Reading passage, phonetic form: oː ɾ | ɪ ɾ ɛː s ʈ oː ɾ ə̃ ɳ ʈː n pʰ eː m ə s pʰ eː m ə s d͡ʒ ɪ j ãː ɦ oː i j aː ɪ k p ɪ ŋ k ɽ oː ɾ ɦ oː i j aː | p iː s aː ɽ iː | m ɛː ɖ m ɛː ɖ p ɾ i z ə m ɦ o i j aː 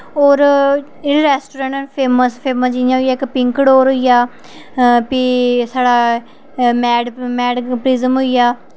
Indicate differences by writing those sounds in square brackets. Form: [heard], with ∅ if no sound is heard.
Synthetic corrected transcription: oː ɾ | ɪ ɾ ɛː s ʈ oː ɾ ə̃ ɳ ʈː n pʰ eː m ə s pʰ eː m ə s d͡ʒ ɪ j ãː ɦ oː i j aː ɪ k p ɪ ŋ k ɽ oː ɾ ɦ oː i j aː | p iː s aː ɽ [aː] | m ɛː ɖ m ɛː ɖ p ɾ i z ə m ɦ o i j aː